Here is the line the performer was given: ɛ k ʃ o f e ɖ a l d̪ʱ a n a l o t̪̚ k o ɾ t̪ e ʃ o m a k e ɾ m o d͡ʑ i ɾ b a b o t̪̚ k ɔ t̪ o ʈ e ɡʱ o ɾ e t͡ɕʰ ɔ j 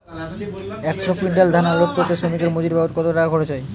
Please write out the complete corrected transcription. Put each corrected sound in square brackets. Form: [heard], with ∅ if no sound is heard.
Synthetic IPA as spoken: ɛ k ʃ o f [i] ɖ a l d̪ʱ a n a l o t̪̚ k o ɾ t̪ e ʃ o m [i] k e ɾ m o d͡ʑ i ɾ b a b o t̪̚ k ɔ t̪ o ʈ [a] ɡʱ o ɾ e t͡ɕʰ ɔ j